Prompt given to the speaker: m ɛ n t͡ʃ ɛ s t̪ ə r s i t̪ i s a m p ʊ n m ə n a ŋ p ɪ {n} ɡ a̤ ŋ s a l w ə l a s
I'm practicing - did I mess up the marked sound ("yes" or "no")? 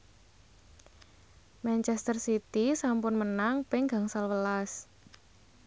yes